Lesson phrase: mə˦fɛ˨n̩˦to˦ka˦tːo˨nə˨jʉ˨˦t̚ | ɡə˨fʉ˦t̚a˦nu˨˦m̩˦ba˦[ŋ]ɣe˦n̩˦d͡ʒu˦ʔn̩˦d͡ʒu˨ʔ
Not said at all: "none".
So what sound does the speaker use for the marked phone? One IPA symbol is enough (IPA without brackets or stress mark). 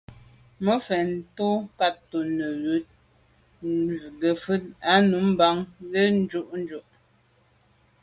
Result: ŋ